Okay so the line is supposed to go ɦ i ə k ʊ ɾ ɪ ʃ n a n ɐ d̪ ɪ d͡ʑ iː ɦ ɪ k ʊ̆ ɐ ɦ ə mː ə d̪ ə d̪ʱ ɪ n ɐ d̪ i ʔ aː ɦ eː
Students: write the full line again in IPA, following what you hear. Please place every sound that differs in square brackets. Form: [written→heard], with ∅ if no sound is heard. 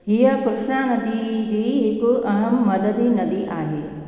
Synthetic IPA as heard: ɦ i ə k ʊ ɾ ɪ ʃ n a n ɐ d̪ [ɪ→i] d͡ʑ iː ɦ ɪ k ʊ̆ ɐ ɦ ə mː [ə→ɐ] d̪ ə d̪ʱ [ɪ→i] n ɐ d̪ i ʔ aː ɦ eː

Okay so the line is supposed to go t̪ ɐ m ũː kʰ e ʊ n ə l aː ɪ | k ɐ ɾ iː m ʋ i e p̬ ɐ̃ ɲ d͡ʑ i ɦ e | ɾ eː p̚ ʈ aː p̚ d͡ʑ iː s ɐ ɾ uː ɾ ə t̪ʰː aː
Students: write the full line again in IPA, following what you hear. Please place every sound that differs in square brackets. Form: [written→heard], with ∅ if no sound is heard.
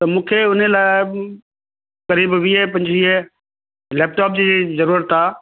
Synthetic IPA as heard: t̪ ɐ m ũː kʰ e ʊ n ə l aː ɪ | k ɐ ɾ iː [m→b] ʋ i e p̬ ɐ̃ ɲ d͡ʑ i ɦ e | [ɾ→l] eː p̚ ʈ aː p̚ d͡ʑ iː [s→z] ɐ ɾ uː ɾ ə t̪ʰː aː

